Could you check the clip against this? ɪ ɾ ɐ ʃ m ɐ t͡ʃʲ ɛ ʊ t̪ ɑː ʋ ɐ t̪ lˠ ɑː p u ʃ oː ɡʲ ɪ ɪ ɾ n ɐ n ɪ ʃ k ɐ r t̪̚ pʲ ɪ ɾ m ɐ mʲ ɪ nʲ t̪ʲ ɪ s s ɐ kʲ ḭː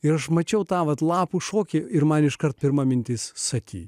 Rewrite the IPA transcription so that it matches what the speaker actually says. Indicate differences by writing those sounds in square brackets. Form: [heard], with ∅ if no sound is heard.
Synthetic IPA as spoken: ɪ ɾ ɐ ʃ m ɐ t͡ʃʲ ɛ ʊ t̪ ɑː ʋ ɐ t̪ lˠ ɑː p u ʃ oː [kʲ] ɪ ɪ ɾ [m] ɐ n ɪ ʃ k ɐ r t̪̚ pʲ ɪ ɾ m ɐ mʲ ɪ nʲ t̪ʲ ɪ s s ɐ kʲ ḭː